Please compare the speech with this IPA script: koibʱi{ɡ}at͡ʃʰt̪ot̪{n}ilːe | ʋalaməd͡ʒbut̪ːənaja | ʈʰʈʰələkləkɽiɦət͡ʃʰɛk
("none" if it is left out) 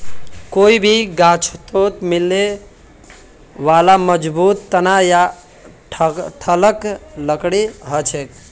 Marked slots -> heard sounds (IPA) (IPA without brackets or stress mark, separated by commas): ɡ, m